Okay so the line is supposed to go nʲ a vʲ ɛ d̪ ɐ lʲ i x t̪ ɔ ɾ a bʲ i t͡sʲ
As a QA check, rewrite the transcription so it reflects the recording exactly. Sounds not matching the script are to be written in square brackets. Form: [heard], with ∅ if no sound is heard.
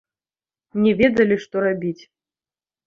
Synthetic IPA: nʲ [ɛ] vʲ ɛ d̪ ɐ lʲ i [ʂ] t̪ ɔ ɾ a bʲ i t͡sʲ